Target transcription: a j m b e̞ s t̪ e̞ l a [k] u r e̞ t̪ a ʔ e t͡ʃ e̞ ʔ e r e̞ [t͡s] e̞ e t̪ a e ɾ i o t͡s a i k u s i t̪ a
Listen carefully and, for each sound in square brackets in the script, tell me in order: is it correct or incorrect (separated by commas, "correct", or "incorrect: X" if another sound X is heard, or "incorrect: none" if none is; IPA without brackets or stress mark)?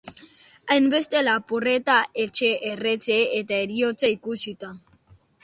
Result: incorrect: p, correct